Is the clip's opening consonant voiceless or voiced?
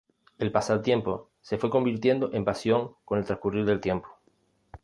voiced